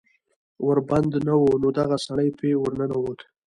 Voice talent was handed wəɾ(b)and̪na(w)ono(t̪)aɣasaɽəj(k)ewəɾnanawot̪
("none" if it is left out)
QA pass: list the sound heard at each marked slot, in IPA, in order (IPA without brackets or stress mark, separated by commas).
b, w, d̪, p